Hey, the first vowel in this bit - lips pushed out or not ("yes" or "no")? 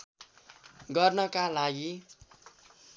no